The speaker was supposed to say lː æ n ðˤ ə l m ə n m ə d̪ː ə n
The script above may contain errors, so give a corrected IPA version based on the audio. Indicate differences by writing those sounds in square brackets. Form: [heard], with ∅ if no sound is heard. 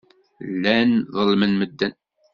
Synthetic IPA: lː æ n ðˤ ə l m ə n m ə d̪ː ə n